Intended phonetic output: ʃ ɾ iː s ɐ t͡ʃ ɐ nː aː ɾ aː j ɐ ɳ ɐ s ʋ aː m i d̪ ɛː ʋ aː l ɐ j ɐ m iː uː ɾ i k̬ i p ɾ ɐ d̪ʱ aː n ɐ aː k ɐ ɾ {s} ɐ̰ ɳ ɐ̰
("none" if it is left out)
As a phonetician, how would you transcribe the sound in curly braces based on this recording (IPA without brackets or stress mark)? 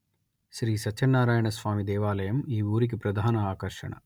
ʂ